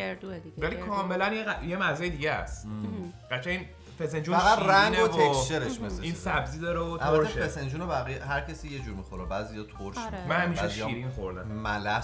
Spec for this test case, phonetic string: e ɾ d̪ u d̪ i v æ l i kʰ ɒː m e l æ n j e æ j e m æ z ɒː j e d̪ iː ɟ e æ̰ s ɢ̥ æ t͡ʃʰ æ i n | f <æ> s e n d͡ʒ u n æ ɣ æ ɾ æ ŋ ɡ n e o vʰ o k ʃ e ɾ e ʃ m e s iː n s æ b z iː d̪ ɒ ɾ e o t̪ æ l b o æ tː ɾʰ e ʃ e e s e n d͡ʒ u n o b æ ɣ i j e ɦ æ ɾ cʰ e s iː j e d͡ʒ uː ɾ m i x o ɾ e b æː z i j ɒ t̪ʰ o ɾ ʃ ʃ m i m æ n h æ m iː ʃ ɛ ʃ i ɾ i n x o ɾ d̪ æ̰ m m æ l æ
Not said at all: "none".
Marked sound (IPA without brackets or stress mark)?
e